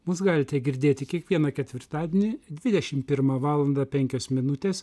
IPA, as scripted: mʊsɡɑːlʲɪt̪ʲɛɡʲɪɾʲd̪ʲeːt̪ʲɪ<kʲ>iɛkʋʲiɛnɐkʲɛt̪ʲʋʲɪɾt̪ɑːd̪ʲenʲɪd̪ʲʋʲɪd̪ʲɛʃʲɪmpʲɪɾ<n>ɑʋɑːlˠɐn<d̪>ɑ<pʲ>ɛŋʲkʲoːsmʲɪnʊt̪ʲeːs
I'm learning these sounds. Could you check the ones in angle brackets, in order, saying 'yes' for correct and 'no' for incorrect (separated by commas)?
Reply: yes, no, yes, yes